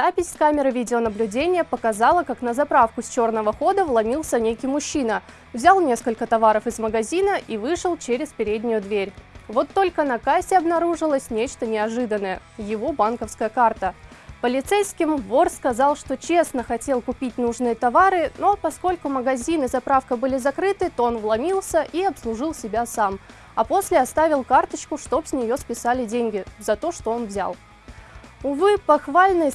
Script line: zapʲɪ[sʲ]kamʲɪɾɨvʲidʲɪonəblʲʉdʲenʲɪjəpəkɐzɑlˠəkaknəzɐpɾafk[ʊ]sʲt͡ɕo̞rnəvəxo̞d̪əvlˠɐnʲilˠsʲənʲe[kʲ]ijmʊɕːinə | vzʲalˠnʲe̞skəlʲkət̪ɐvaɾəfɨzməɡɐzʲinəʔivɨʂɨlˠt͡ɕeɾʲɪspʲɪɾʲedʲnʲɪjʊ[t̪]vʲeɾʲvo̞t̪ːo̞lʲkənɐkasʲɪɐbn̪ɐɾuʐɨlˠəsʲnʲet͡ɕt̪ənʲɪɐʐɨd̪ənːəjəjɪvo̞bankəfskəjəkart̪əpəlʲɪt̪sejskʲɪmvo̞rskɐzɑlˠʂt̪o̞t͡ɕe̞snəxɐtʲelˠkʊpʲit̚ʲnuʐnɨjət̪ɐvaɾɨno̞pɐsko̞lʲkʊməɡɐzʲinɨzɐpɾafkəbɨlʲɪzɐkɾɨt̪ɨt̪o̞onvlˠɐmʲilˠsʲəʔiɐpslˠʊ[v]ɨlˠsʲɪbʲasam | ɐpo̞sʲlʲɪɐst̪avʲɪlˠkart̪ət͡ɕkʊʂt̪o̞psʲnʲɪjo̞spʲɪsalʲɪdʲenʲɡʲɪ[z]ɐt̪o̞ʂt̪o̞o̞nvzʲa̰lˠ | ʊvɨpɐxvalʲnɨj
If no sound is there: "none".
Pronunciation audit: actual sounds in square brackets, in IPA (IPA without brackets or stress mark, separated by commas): sʲ, ʊ, kʲ, d̪, ʐ, z